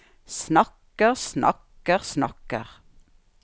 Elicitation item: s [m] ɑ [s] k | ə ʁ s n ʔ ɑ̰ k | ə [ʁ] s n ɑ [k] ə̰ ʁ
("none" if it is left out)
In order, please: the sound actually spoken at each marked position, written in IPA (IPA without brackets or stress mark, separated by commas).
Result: n, none, ʁ, k